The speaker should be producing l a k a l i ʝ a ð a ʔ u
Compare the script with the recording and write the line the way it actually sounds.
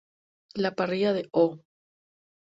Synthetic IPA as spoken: l a p a r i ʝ a ð e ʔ o